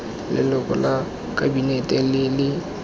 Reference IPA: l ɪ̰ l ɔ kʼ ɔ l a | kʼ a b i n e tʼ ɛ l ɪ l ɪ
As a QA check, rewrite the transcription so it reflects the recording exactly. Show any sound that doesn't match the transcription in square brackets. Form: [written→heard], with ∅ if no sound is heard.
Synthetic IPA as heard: l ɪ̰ l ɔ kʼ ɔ l a | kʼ a b i n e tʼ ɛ l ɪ l ɪ